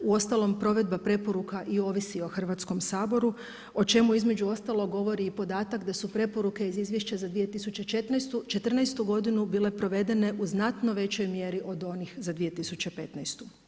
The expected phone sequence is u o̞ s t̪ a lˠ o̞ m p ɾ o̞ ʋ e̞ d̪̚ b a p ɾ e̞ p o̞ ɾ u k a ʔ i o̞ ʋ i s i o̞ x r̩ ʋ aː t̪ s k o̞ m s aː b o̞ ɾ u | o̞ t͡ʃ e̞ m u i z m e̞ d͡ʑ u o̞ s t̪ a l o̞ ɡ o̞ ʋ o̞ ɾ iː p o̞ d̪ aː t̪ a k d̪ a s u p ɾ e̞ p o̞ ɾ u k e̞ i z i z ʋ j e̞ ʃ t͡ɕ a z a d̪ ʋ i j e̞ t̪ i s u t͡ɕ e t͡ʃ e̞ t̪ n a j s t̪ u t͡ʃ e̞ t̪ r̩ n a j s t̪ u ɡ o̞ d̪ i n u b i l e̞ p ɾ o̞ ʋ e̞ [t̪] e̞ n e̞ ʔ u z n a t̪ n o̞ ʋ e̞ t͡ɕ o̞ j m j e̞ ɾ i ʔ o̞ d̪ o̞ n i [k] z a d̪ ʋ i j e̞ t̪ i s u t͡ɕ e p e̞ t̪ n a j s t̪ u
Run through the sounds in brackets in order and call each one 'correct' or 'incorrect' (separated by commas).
incorrect, incorrect